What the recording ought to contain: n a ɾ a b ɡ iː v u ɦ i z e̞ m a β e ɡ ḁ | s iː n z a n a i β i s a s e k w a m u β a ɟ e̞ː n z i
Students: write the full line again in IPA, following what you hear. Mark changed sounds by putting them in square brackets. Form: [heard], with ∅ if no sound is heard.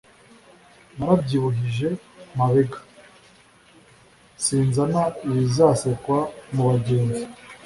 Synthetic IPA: n a ɾ a b [ɟ] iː [β] u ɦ i [ʒ] e̞ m a β e ɡ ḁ | s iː n z a n a i β i [z] a s e k w a m u β a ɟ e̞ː n z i